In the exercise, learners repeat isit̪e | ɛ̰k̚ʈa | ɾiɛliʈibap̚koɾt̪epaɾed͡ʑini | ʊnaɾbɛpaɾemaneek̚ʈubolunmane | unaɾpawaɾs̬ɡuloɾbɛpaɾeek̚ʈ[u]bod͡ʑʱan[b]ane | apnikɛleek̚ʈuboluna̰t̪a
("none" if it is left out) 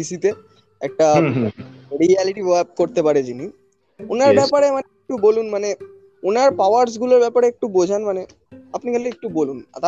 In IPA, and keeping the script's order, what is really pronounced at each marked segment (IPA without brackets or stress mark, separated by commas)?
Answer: u, m